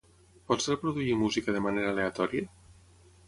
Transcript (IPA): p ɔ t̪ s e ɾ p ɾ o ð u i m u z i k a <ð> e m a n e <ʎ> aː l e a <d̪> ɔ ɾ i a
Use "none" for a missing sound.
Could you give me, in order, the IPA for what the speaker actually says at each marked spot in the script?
ð, ɾ, t̪

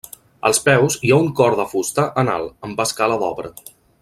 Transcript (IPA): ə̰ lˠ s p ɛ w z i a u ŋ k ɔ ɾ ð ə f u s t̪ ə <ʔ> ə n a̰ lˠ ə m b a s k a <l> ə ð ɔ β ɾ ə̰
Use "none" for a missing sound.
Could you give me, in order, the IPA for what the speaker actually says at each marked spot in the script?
ʔ, l

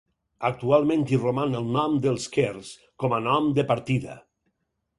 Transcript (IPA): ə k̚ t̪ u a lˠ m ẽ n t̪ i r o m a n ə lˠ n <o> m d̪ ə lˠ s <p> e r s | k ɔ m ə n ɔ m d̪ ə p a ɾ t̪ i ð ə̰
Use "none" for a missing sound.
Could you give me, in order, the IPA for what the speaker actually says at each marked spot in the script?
ɔ, k

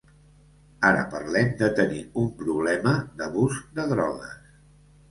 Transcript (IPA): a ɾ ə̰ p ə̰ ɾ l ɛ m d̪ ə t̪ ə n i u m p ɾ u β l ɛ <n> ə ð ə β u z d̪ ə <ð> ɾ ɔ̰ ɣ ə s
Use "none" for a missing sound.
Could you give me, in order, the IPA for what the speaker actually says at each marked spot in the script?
m, ð

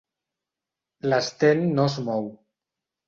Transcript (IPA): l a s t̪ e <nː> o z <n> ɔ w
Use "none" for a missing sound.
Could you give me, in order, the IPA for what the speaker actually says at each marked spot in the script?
nː, m

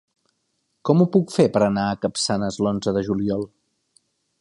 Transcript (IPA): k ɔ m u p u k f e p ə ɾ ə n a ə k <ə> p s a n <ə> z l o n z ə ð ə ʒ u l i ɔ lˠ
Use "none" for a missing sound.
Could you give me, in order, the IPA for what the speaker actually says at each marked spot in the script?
ə, ə

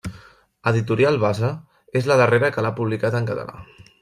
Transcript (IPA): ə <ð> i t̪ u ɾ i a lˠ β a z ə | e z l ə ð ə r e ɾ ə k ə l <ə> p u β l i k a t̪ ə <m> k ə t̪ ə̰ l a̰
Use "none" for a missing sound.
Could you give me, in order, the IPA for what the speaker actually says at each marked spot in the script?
ð, a, ŋ

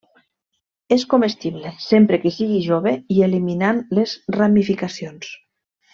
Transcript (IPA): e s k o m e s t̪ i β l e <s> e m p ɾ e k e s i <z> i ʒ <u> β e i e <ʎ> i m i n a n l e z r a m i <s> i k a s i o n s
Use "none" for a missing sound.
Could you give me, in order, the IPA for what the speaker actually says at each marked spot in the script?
s, ɣ, o, l, f

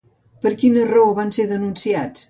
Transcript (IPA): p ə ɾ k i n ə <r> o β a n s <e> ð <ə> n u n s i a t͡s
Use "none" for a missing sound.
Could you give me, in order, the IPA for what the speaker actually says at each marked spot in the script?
r, e, ə

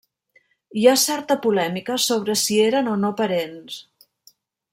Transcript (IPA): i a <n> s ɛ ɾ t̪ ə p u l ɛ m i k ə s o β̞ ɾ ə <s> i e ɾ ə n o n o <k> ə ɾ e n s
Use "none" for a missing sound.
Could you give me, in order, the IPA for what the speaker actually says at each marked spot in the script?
none, s, p

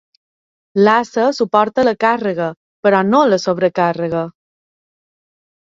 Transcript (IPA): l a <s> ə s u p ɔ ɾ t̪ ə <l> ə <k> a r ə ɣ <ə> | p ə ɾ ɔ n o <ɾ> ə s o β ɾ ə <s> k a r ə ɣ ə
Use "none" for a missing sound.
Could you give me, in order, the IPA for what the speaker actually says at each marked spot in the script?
s, l, k, ə, l, none

